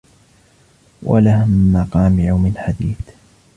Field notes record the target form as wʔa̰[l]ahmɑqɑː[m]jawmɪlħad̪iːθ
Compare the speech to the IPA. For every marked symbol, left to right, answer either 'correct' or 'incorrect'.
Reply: correct, correct

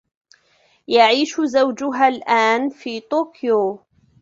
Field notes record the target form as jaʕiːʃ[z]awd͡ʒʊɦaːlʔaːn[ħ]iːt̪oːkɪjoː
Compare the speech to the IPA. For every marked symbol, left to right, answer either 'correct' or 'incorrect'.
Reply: correct, incorrect: f

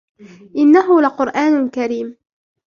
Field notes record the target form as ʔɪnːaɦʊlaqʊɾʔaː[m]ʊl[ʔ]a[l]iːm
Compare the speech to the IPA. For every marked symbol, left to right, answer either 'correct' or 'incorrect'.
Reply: incorrect: n, incorrect: k, incorrect: ɾ

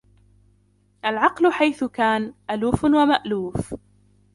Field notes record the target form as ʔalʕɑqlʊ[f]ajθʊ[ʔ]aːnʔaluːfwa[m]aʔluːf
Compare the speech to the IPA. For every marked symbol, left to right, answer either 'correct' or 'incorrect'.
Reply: incorrect: ħ, incorrect: k, correct

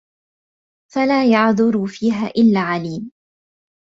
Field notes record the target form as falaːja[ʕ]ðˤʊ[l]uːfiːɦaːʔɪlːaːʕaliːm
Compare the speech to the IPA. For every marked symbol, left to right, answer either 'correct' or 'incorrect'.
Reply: correct, incorrect: ɾ

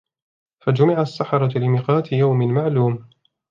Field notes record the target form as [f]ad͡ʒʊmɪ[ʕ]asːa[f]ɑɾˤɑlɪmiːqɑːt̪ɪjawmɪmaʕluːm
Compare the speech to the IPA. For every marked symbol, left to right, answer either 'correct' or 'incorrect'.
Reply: correct, correct, incorrect: ħ

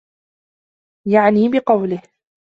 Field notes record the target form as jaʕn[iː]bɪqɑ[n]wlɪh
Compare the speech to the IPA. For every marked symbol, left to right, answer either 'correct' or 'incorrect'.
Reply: correct, incorrect: none

